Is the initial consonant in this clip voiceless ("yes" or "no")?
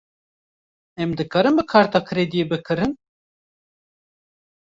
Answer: no